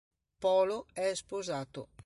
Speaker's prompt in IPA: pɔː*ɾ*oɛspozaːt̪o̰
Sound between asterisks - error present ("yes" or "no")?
yes